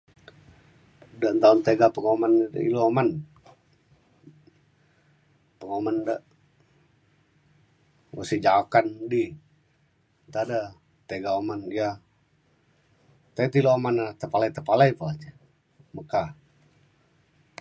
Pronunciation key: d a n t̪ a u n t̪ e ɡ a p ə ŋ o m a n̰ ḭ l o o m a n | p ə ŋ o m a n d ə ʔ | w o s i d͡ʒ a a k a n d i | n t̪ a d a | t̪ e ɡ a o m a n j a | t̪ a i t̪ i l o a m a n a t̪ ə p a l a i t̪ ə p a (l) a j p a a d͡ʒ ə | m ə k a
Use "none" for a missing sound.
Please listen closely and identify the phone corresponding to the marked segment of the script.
l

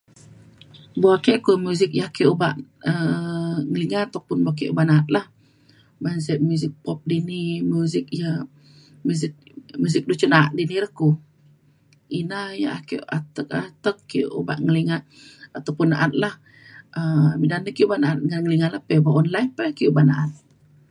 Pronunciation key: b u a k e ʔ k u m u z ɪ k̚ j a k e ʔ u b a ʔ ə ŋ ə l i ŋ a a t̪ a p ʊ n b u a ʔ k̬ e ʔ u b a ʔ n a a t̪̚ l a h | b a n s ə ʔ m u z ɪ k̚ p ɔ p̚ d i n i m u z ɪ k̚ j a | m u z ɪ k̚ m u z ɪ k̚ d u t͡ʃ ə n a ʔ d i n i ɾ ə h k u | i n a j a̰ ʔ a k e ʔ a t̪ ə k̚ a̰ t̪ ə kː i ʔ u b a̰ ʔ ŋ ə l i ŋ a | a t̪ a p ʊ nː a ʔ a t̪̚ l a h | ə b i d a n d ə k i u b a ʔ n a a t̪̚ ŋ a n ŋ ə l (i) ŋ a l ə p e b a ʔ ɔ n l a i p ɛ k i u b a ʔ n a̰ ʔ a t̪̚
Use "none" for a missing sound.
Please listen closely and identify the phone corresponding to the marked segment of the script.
i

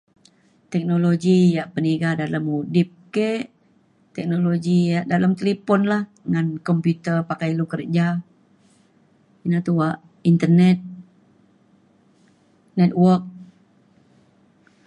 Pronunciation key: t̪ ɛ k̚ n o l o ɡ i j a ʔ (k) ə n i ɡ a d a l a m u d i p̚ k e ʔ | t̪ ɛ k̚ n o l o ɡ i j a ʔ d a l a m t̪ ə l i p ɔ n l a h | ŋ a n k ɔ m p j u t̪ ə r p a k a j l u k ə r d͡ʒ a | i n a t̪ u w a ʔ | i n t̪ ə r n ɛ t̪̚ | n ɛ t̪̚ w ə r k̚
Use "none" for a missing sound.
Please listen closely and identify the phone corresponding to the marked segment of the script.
p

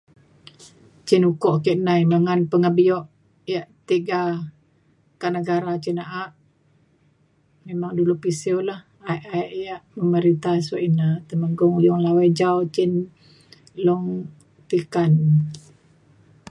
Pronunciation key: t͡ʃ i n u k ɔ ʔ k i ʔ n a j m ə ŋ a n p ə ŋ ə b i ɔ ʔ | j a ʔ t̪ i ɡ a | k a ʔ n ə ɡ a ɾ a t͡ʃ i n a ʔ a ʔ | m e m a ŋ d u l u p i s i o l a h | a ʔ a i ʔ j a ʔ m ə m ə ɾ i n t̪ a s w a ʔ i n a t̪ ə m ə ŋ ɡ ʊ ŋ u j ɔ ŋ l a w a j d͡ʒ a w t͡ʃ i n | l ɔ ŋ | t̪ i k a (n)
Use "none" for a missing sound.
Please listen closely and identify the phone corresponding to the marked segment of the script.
n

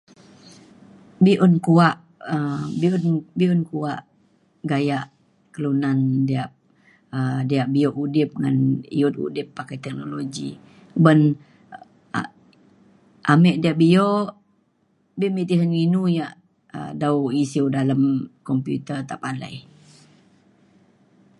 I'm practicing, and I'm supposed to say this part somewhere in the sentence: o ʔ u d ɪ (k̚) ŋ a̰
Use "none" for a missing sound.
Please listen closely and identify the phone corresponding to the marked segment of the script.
p̚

